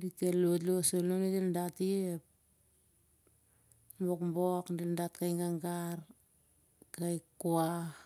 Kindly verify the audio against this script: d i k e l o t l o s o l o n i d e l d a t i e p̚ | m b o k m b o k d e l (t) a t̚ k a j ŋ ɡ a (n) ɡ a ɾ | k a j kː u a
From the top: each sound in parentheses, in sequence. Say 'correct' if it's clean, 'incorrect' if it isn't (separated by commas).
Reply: incorrect, incorrect